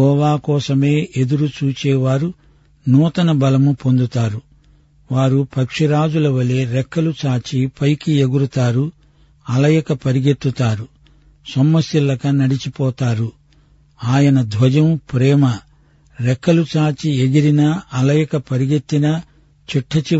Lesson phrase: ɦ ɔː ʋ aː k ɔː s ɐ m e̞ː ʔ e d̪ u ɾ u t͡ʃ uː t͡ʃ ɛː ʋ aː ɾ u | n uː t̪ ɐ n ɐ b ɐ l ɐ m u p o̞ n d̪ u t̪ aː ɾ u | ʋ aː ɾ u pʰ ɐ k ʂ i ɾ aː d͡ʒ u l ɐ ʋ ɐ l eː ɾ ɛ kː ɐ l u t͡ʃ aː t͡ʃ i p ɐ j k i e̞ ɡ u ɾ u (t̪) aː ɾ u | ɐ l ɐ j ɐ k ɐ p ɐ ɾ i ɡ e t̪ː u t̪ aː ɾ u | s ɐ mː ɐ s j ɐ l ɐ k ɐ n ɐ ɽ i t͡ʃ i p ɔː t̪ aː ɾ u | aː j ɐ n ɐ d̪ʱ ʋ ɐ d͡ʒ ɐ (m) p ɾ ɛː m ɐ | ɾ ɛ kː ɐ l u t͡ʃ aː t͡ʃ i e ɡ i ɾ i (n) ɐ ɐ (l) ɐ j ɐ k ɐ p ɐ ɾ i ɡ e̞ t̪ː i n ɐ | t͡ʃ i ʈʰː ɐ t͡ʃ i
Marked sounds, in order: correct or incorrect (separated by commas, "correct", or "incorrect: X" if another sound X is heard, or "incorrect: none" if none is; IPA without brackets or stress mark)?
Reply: correct, correct, correct, correct